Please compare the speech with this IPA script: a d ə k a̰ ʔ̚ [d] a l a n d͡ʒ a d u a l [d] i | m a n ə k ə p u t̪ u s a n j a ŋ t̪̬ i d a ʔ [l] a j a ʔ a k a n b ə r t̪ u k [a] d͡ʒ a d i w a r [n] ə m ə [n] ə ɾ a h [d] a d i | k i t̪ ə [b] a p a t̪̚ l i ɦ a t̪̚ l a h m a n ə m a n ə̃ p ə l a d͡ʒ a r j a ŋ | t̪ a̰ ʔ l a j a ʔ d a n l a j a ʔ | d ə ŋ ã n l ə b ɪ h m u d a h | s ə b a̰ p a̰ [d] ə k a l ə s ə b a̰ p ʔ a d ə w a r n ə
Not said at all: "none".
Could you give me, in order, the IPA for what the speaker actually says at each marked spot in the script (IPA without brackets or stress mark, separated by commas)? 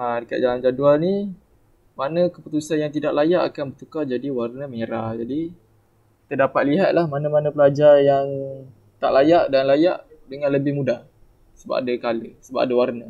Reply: d͡ʒ, n, l, a, n, ɲ, d͡ʒ, d, d